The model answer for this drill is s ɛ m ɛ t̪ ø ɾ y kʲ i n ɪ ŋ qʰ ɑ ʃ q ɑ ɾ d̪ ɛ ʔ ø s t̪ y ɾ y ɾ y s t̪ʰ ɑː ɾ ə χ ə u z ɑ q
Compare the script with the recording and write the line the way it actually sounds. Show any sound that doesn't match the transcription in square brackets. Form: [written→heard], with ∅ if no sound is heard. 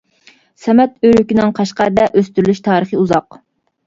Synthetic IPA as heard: s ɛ m ɛ t̪ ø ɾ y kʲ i n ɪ ŋ qʰ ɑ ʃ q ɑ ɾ d̪ ɛ ʔ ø s t̪ y ɾ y [ɾ→l] y [s→ʃ] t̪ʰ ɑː ɾ ə χ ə u z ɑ q